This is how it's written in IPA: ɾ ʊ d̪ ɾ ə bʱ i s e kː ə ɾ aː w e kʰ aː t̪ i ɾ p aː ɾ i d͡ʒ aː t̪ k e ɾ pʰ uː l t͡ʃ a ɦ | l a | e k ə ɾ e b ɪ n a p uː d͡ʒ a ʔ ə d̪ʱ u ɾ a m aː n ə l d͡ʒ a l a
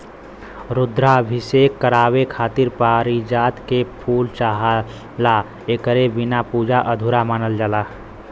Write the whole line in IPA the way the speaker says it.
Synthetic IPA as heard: ɾ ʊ d̪ ɾ a bʱ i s e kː ə ɾ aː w e kʰ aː t̪ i ɾ p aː ɾ i d͡ʒ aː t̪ k e pʰ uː l t͡ʃ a ɦ | l a | e k ə ɾ e b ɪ n a p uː d͡ʒ a ʔ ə d̪ʱ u ɾ a m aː n ə l d͡ʒ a l a